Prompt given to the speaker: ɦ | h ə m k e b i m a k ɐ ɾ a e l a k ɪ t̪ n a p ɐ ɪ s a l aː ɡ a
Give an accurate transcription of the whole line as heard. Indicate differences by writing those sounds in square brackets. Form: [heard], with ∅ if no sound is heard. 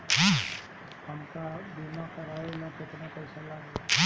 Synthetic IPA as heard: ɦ | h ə m k [a] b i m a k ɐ ɾ a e l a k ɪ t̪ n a p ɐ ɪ s a l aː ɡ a